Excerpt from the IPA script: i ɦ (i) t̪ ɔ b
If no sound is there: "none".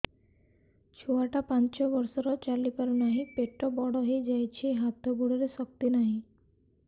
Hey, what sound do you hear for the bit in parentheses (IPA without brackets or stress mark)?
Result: a